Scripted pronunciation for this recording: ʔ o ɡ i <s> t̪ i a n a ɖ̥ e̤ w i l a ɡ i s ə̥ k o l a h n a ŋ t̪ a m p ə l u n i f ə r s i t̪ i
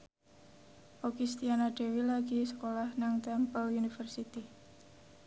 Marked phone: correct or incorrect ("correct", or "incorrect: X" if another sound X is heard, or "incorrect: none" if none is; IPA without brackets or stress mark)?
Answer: correct